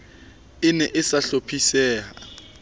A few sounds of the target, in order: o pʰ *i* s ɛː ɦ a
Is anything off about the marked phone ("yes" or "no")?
no